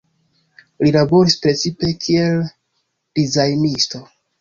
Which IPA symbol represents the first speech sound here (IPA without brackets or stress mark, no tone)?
l